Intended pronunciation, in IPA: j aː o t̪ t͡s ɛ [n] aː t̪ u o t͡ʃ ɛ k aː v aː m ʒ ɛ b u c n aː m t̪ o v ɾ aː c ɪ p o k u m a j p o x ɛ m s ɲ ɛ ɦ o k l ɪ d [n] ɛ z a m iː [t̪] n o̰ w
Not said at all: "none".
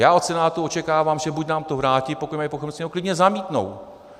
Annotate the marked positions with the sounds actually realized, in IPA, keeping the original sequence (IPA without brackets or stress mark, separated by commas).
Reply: n, ɲ, t̪